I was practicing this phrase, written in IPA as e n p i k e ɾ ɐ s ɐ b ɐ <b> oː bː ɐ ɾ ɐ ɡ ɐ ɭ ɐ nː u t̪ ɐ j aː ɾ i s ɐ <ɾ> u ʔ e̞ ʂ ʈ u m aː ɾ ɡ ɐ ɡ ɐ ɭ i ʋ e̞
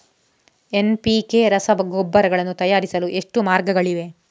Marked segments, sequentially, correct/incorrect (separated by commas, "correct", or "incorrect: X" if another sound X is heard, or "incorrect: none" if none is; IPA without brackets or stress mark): incorrect: ɡ, incorrect: l